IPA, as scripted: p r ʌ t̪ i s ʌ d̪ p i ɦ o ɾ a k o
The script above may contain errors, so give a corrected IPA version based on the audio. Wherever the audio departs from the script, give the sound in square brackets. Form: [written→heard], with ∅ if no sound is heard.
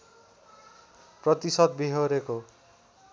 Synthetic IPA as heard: p r ʌ t̪ i s ʌ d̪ [p→b] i ɦ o ɾ [a→e] k o